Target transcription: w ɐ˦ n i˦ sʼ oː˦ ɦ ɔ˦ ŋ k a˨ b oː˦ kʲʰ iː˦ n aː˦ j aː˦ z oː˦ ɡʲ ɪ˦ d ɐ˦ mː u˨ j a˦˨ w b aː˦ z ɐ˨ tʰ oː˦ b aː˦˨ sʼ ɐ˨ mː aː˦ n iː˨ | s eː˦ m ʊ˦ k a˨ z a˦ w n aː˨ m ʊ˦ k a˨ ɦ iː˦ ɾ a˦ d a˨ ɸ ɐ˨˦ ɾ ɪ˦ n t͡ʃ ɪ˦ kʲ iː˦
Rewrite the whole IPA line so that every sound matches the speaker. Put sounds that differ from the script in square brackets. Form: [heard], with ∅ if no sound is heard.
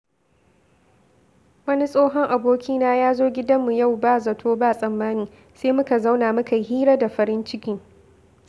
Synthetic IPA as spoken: w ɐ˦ n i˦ sʼ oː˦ ɦ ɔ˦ ŋ [ʔ] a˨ b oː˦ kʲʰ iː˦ n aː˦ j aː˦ z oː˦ ɡʲ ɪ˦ d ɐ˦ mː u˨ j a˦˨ w b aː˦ z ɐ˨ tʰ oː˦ b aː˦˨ sʼ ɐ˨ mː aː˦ n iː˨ | s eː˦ m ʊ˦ k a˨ z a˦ w n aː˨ m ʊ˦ k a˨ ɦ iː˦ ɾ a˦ d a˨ ɸ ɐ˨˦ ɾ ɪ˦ n t͡ʃ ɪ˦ kʲ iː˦